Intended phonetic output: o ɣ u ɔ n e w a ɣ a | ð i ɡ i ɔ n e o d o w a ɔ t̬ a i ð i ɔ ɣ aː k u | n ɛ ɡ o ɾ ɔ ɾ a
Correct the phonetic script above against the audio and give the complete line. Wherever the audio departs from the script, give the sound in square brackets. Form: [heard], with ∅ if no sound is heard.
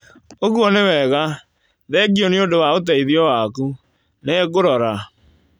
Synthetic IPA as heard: o ɣ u ɔ n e w [ɛ] ɣ a | ð [ɛ] ɡ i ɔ n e o d o w a [o] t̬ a i ð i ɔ [w] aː k u | n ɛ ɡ o ɾ ɔ ɾ a